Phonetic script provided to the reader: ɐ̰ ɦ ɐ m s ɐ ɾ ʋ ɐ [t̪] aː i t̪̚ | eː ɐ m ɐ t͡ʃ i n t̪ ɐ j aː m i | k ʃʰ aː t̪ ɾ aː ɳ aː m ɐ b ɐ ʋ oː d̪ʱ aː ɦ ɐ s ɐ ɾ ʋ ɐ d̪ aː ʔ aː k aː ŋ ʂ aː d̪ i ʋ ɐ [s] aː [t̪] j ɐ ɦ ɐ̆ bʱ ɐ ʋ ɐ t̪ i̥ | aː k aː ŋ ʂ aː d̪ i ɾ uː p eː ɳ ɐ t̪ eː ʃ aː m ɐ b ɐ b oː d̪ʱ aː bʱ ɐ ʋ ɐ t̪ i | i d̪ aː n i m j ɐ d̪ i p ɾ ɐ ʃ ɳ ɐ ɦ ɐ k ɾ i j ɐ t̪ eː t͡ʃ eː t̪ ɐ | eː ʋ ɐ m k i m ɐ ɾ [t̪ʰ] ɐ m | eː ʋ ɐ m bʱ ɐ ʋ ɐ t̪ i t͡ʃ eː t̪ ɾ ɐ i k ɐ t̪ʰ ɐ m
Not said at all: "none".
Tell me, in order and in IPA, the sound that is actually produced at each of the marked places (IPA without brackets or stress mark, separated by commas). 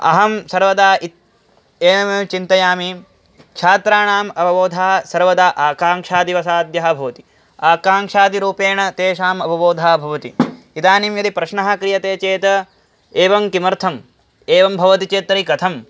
d̪, s, d̪, t̪ʰ